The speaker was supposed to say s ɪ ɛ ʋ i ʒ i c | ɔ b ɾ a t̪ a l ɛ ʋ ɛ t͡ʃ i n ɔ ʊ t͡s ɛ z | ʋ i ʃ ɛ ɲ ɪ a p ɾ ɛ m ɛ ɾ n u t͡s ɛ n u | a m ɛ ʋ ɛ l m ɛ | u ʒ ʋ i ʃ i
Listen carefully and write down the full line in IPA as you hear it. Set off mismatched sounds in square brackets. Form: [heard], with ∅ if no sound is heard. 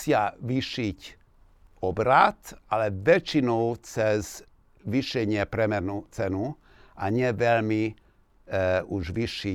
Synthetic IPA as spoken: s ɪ [a] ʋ i [ʃ] i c | ɔ b ɾ a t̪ a l ɛ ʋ ɛ t͡ʃ i n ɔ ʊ t͡s ɛ z | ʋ i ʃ ɛ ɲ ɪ [ɛ] p ɾ ɛ m ɛ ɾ n u t͡s ɛ n u | a [ɲ] ɛ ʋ ɛ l m [i] | u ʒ ʋ i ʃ i